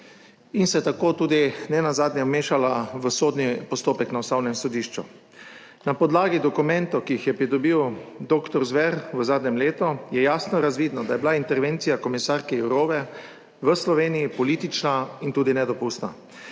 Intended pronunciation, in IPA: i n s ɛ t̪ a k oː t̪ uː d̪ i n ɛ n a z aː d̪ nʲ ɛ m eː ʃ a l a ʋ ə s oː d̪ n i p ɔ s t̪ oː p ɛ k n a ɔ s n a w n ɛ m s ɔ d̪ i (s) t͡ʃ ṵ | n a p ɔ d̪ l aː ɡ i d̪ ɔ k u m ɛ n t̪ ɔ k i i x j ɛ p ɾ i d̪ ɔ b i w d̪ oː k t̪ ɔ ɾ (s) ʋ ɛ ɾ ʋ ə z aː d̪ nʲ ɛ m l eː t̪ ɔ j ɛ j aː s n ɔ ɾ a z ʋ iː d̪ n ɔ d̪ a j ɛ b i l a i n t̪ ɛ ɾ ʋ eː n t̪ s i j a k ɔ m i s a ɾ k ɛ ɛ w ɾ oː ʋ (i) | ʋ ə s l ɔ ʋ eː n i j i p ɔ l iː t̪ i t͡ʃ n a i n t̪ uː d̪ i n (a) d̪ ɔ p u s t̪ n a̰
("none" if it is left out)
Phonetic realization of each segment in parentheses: ʃ, z, ɛ, ɛ

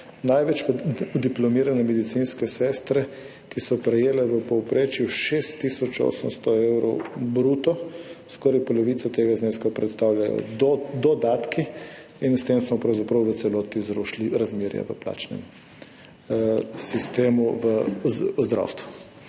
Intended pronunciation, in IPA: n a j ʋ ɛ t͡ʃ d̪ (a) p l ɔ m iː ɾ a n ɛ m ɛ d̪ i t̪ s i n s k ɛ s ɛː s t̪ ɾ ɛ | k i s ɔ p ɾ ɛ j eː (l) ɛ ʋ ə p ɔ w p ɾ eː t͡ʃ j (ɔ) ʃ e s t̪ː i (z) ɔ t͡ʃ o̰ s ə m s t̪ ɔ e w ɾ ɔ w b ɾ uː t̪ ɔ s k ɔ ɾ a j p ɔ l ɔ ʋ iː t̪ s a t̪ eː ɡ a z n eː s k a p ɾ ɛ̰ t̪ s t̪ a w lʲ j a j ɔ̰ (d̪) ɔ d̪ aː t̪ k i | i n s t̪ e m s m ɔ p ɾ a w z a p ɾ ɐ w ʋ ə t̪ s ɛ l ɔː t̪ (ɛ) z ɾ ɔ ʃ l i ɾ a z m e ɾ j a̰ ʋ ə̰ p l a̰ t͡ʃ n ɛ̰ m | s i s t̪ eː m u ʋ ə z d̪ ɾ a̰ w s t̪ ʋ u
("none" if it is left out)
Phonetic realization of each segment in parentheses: i, l, u, s, d̪, i

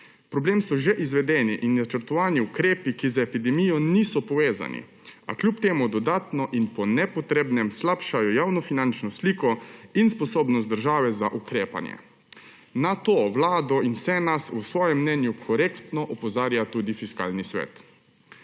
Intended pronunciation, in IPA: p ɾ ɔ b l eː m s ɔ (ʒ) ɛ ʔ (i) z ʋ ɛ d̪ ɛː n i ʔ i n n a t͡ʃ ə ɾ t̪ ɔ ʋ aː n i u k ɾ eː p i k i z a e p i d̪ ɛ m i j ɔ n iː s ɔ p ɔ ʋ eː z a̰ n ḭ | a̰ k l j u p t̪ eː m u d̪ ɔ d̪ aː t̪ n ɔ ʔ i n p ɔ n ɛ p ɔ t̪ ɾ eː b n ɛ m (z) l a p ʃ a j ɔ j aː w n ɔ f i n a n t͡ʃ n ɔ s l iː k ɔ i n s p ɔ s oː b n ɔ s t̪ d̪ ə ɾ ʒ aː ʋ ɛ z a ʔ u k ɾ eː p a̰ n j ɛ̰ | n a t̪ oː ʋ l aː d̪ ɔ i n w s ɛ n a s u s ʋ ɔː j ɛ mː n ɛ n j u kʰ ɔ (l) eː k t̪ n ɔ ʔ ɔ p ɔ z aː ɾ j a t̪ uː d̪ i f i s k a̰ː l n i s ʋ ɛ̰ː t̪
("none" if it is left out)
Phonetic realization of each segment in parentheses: ʒ, i, s, ɾ

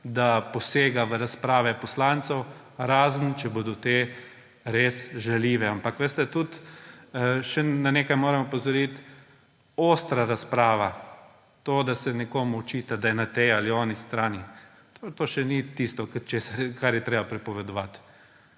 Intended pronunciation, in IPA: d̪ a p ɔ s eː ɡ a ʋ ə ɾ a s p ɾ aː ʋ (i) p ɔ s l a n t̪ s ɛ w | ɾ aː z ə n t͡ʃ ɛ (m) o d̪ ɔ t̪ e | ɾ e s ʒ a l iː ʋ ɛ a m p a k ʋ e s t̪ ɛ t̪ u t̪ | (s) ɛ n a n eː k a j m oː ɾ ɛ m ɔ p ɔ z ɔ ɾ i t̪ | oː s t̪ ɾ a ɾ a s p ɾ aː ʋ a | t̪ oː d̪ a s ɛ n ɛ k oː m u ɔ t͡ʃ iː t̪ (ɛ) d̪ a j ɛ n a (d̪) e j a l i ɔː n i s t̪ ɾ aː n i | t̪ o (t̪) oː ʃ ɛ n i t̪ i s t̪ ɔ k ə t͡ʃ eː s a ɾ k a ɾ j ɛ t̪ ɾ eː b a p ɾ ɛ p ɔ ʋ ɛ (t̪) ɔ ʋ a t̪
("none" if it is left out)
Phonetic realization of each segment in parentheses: ɛ, b, ʃ, a, t̪, t̪, d̪

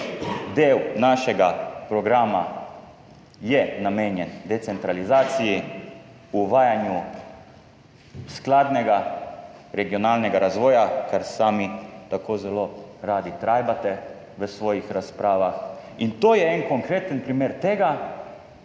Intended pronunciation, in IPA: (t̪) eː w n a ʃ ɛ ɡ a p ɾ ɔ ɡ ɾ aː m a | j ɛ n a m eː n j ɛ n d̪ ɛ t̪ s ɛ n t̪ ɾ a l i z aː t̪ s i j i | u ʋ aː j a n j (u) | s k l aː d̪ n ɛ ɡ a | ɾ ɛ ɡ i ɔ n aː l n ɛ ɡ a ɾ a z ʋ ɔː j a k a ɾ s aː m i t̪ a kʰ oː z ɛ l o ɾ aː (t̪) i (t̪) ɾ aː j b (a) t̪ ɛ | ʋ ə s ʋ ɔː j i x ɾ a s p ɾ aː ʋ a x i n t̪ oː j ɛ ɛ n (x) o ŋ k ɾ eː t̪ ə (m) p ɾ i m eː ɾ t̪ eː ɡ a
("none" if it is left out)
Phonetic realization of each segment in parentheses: d̪, u, d̪, t̪, a, k, n

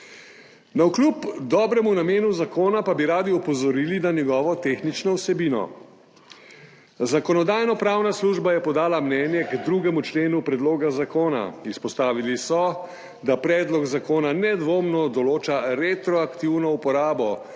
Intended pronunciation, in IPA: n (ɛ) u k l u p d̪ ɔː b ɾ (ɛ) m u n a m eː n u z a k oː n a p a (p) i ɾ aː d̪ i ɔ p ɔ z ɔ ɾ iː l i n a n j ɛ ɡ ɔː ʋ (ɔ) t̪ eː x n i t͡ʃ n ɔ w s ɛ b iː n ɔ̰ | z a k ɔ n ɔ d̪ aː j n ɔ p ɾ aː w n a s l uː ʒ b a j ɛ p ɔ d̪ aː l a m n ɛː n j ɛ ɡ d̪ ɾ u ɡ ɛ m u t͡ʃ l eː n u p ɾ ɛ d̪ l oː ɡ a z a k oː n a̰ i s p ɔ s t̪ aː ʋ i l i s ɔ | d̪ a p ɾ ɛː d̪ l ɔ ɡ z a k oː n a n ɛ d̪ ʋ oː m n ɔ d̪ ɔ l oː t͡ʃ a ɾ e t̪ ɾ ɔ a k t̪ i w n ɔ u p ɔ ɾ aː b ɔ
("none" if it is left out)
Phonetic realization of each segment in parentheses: a, ɛ, b, ɔ

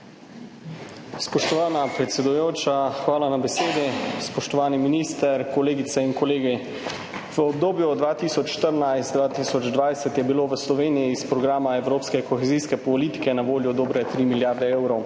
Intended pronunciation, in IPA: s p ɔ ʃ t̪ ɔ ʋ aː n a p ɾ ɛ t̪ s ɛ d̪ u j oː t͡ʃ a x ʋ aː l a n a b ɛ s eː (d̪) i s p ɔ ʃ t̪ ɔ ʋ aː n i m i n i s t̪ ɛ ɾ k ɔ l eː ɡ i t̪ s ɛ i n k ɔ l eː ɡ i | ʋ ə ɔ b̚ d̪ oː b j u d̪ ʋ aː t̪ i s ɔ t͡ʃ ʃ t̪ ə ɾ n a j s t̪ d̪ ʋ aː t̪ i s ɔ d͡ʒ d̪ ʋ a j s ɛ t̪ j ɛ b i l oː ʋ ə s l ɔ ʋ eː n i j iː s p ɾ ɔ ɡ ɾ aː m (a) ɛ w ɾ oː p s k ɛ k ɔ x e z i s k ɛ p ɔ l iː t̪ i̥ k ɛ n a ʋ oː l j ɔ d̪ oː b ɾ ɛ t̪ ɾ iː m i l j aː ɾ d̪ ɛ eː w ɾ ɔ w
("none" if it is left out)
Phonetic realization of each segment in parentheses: d̪, a

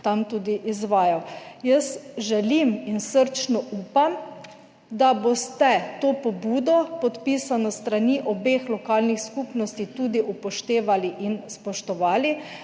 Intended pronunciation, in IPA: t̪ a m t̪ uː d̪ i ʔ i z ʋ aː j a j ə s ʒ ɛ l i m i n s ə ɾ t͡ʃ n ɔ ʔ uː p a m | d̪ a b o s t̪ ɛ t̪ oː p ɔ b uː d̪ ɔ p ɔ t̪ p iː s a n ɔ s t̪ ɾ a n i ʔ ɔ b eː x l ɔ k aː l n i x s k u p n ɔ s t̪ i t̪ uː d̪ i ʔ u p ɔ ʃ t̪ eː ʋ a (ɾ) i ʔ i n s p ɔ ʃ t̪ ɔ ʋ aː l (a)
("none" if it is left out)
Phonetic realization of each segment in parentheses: l, i

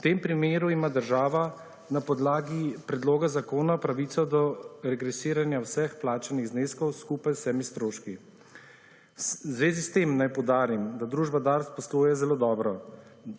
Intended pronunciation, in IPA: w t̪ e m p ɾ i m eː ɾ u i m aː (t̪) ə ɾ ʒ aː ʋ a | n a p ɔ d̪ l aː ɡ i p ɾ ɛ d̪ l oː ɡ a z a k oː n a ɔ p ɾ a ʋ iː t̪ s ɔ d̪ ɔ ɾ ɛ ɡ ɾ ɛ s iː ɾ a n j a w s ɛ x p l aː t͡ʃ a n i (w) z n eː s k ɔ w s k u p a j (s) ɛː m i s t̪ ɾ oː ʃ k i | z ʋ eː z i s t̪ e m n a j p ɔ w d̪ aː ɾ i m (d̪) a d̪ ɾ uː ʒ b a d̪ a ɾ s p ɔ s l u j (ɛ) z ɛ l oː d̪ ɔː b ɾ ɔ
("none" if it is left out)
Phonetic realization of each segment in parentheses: d̪, ɣ, s, d̪, ɛ

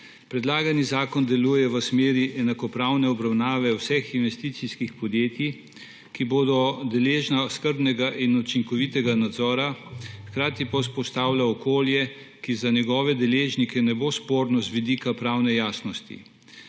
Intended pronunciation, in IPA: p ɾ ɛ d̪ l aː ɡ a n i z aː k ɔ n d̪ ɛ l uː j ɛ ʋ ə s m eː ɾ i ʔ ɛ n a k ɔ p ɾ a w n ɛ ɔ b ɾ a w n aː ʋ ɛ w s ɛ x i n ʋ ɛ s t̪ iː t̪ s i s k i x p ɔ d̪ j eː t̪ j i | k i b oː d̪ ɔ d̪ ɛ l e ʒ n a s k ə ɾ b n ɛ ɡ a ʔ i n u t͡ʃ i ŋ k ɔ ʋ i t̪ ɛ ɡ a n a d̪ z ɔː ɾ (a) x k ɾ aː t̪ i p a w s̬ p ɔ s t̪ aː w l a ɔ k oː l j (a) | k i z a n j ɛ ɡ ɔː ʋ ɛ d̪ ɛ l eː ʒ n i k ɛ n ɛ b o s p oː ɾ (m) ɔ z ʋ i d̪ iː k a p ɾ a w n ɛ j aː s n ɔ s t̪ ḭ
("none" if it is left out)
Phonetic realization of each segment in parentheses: a, ɛ, n

